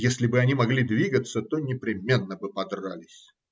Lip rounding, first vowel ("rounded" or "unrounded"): unrounded